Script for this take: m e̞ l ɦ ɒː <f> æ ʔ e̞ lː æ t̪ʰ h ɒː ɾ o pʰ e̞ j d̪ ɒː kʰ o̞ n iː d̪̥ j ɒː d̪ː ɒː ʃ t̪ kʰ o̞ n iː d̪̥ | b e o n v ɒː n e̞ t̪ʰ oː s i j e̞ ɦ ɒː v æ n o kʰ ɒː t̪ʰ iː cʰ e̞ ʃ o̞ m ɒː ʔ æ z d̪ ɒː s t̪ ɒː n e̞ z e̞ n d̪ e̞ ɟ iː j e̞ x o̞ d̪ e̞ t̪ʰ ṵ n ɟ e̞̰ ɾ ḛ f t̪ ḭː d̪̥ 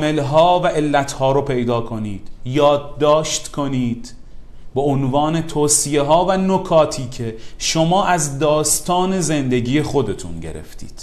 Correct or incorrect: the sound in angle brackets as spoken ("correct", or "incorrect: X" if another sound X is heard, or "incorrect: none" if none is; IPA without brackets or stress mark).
incorrect: v